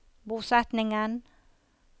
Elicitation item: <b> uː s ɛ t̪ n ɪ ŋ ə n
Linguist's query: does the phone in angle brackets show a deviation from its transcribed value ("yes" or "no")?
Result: no